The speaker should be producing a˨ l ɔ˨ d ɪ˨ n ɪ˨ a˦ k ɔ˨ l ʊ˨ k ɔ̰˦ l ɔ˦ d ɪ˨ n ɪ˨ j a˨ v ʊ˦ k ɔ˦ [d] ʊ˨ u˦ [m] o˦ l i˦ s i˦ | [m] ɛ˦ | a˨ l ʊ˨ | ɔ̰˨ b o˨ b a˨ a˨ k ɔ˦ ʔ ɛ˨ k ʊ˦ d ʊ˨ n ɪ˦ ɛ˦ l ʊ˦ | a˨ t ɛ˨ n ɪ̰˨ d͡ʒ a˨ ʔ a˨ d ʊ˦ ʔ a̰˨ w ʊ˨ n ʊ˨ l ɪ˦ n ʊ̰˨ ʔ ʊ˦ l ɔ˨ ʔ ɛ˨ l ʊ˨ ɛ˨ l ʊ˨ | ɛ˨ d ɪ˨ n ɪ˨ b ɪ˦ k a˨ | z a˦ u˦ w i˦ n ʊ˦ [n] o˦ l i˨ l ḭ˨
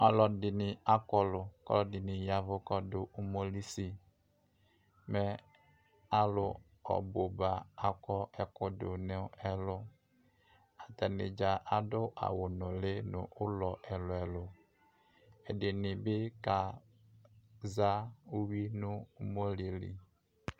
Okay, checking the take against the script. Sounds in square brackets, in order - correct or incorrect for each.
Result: correct, correct, correct, incorrect: m

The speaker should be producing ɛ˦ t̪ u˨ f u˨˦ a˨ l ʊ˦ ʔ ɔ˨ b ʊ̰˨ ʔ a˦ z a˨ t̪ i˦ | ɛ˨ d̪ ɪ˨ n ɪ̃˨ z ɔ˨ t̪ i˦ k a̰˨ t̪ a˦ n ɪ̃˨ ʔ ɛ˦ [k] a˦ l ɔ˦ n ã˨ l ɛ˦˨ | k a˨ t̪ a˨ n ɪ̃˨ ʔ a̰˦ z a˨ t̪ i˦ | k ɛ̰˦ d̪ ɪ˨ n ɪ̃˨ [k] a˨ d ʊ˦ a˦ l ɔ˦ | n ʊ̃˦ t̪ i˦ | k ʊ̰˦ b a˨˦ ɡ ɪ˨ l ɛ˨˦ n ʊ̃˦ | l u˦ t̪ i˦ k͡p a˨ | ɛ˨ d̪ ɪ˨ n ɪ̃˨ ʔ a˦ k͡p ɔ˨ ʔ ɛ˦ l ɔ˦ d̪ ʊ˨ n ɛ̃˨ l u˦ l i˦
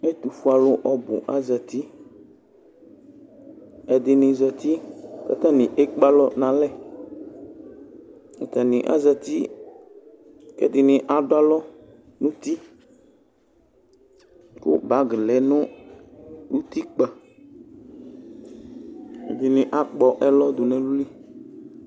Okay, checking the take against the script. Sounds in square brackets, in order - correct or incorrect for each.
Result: incorrect: k͡p, incorrect: ʔ

